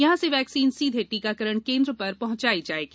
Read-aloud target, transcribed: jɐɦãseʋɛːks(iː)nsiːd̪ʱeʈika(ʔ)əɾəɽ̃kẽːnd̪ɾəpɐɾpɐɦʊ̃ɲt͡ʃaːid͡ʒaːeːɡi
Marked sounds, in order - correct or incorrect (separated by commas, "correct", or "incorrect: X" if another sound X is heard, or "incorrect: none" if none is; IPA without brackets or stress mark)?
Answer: correct, incorrect: k